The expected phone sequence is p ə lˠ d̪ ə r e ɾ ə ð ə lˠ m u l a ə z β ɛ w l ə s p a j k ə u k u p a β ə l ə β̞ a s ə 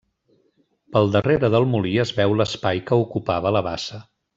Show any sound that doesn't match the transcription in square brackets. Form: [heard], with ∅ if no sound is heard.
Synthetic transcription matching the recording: p ə lˠ d̪ ə r e ɾ ə ð ə lˠ m u l [i] ə z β ɛ w l ə s p a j k ə u k u p a β ə l ə β̞ a s ə